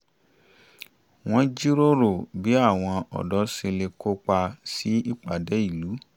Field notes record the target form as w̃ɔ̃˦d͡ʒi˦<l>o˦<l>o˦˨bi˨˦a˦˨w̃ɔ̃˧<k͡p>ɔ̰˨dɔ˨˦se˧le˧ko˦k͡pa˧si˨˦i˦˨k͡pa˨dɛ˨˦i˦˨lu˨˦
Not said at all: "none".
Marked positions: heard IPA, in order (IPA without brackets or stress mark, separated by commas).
ɾ, ɾ, none